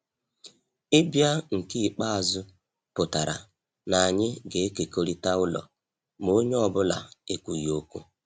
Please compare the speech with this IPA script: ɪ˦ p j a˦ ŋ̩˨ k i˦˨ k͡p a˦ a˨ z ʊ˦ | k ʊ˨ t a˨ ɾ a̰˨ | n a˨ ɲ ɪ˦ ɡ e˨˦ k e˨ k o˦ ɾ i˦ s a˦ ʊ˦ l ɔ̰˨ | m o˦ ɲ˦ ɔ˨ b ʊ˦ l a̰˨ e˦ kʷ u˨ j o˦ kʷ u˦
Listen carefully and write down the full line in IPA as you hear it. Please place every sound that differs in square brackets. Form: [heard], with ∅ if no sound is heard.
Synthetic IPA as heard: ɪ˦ [b] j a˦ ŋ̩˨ k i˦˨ k͡p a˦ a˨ z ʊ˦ | [p] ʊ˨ t a˨ ɾ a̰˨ | n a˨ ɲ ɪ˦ ɡ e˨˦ k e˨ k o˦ ɾ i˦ [t] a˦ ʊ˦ l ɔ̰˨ | m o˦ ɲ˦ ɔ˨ b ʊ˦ l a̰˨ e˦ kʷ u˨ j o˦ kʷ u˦